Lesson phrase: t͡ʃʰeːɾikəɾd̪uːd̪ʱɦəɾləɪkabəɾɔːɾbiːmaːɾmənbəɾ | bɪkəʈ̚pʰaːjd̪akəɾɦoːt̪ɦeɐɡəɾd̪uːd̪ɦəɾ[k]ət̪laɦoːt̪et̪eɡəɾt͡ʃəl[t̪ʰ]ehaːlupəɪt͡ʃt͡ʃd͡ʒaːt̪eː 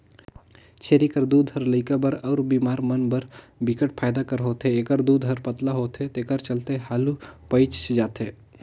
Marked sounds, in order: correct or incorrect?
incorrect: p, incorrect: t̪

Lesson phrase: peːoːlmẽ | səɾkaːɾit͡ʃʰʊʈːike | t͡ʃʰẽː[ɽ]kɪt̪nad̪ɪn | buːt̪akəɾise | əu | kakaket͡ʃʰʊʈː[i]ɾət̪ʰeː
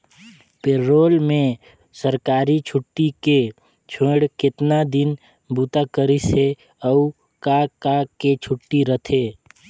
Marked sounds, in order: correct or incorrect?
correct, correct

